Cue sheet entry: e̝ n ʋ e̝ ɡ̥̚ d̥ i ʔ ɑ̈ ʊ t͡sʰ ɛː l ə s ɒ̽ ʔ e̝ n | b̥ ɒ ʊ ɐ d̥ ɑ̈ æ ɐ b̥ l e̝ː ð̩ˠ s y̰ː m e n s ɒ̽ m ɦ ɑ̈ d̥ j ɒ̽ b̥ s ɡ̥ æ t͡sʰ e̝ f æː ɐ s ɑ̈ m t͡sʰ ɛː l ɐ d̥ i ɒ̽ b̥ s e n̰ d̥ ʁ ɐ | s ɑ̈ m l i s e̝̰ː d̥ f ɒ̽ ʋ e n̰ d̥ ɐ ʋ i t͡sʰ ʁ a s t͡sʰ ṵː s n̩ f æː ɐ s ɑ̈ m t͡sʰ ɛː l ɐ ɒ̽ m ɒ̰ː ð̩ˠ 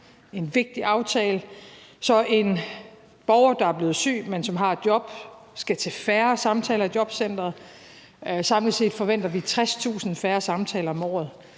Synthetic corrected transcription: e̝ n ʋ e̝ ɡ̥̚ d̥ i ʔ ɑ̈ ʊ t͡sʰ ɛː l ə s ɒ̽ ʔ e̝ n | b̥ ɒ ʊ ɐ d̥ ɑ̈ æ ɐ b̥ l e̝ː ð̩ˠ s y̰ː m e n s ɒ̽ m ɦ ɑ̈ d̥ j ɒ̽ b̥ s ɡ̥ æ t͡sʰ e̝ f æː ɐ s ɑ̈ m t͡sʰ ɛː l ɐ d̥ j ɒ̽ b̥ s e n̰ d̥ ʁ ɐ | s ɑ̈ m l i s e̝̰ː d̥ f ɒ̽ ʋ e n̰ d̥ ɐ ʋ i t͡sʰ ʁ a s t͡sʰ ṵː s n̩ f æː ɐ s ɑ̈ m t͡sʰ ɛː l ɐ ɒ̽ m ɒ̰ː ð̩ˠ